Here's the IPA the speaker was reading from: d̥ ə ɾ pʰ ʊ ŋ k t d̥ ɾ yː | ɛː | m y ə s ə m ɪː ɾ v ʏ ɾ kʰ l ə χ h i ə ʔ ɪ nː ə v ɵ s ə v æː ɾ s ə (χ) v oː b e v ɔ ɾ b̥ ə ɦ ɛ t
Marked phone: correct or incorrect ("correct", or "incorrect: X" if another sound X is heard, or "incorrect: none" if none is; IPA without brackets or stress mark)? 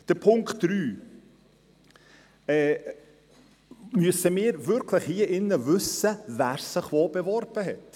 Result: correct